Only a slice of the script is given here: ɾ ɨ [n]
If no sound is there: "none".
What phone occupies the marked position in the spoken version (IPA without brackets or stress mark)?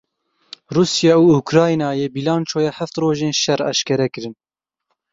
n